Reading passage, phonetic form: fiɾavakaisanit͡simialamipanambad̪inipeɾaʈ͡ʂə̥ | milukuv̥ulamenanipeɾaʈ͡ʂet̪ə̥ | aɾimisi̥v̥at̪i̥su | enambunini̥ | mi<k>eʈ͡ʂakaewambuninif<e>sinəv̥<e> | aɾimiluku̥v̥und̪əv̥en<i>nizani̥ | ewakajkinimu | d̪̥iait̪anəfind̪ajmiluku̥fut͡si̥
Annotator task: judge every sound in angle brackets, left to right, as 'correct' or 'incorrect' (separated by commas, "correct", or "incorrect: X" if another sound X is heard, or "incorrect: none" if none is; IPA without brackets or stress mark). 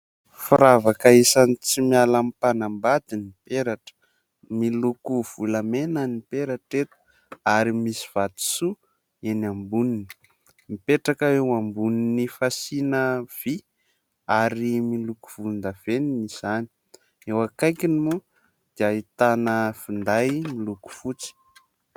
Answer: incorrect: p, incorrect: a, incorrect: i, correct